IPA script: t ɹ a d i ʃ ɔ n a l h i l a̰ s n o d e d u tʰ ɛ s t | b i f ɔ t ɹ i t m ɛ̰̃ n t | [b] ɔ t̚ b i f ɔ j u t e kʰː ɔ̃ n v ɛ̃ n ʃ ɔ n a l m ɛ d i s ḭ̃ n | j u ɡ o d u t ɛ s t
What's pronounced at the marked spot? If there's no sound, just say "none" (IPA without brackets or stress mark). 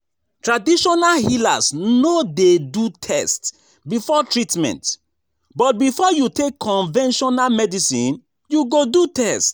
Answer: b